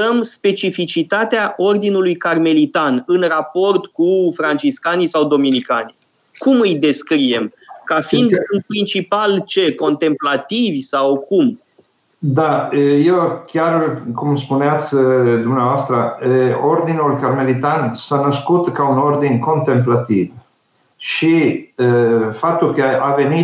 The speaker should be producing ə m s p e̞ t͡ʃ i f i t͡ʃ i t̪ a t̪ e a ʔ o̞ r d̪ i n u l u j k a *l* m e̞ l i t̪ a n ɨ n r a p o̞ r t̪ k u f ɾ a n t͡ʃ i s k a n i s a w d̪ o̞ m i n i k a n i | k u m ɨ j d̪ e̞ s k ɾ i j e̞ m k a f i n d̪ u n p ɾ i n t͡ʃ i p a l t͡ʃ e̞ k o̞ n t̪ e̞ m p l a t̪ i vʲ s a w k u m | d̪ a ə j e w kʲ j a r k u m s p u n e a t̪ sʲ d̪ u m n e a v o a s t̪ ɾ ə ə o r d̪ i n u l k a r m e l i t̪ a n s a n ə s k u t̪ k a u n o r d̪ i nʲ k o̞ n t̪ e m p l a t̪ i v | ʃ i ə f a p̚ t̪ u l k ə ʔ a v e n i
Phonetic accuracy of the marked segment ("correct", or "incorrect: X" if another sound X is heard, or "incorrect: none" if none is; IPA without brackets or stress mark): incorrect: r